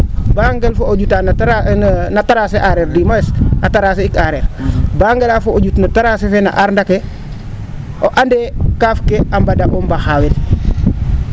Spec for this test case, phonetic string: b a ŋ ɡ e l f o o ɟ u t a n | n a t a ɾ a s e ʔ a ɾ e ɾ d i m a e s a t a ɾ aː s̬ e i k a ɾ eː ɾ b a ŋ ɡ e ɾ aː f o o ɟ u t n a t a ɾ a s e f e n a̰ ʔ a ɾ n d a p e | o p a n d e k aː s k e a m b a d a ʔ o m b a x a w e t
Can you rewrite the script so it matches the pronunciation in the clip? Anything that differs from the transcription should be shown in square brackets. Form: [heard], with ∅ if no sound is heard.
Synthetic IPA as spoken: b a ŋ ɡ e l f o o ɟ u t a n | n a t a ɾ a s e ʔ a ɾ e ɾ d i m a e s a t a ɾ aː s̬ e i k a ɾ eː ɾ b a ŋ ɡ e [l] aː f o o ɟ u t n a t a ɾ a s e f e n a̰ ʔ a ɾ n d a [k] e | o [ʔ] a n d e k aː [f] k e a m b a d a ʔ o m b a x a w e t